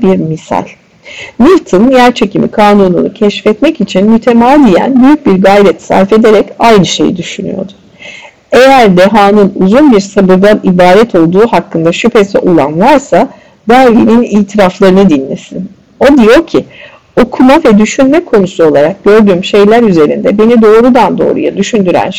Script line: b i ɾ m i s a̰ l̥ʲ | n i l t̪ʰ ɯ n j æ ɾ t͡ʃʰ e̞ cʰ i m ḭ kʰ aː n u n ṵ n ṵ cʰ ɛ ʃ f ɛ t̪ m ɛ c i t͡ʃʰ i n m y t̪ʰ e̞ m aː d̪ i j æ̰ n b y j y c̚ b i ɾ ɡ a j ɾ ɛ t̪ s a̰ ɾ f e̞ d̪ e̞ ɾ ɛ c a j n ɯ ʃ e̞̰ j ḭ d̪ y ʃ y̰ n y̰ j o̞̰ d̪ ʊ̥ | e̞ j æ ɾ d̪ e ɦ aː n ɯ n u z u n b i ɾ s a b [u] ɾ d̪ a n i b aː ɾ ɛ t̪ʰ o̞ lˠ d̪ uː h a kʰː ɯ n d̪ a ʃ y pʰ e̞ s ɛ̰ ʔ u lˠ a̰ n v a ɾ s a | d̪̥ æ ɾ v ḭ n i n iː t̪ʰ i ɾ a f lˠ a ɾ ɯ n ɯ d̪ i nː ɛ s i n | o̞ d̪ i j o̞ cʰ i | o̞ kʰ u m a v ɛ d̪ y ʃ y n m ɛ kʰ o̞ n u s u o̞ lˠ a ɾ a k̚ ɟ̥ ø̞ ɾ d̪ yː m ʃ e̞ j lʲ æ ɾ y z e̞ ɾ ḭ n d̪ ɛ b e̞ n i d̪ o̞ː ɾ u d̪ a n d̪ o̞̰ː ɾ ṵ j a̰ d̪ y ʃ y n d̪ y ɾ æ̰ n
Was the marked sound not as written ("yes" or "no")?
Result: yes